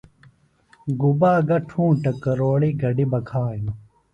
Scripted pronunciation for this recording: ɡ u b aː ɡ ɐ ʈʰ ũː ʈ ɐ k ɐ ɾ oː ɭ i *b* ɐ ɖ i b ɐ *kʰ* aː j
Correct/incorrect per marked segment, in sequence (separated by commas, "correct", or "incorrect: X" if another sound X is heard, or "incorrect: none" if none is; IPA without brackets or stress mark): incorrect: ɡ, correct